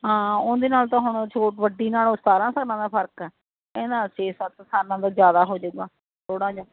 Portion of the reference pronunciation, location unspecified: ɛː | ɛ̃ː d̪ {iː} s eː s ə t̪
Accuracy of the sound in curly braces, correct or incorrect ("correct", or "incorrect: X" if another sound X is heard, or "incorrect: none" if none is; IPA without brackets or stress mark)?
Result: incorrect: aː